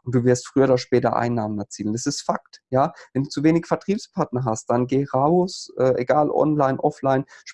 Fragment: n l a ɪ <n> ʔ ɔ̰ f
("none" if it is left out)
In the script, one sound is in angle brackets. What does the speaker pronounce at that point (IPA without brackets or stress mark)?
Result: n